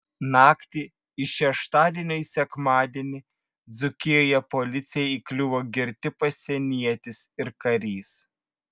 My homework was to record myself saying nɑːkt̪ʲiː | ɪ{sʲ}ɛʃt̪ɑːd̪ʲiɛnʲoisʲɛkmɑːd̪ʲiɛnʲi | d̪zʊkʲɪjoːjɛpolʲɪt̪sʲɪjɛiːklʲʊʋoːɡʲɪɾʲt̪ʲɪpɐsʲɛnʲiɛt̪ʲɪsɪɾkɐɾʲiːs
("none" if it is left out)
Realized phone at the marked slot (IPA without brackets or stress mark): ʃʲ